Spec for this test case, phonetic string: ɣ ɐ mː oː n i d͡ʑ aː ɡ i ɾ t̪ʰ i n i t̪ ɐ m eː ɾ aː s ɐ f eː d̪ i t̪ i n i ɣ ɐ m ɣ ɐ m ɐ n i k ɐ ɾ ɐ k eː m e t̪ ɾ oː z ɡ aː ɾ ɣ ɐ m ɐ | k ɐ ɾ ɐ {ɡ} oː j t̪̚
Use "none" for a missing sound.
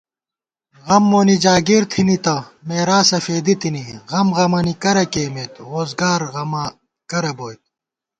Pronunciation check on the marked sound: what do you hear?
b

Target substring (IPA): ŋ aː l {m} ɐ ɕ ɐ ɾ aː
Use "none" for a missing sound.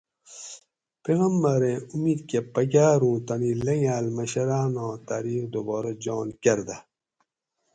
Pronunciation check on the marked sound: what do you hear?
m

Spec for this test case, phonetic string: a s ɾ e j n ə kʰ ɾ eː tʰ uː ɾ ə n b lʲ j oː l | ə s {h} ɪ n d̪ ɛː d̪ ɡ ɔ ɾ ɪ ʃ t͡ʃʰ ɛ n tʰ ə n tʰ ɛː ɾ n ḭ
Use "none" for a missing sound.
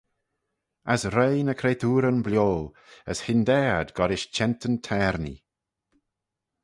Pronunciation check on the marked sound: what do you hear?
h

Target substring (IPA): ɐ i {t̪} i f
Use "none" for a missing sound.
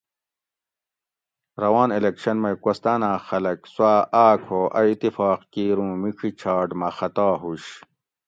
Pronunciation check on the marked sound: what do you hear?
t̪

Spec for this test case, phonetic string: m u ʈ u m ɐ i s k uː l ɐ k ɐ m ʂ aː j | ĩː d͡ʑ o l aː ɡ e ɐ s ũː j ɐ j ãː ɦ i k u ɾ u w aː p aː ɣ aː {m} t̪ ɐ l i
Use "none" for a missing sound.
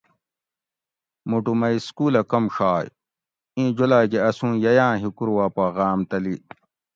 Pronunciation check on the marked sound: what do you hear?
m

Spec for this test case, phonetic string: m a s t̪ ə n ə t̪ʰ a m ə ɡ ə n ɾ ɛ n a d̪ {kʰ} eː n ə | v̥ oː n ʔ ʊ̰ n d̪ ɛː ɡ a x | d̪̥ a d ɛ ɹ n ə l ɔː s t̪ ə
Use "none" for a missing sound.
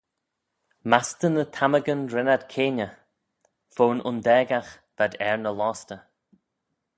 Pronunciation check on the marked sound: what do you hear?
kʰ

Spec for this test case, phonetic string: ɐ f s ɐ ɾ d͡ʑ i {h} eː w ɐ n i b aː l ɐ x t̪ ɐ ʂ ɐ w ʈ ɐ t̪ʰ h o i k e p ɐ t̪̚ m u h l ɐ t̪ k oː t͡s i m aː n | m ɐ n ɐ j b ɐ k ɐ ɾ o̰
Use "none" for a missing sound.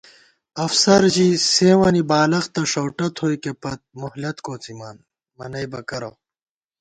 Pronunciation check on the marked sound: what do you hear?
s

